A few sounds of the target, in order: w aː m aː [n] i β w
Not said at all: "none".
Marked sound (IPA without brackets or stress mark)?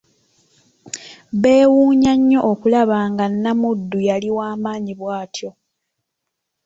ɲ